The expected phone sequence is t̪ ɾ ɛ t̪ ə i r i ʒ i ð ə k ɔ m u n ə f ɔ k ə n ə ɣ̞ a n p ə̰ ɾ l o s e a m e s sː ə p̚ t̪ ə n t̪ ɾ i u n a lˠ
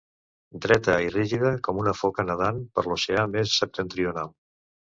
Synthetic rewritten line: d̪ ɾ ɛ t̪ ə i r i ʒ i ð ə k ɔ m u n ə f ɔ k ə n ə ð̞ a n p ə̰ ɾ l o s e a m e s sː ə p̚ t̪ ə n t̪ ɾ i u n a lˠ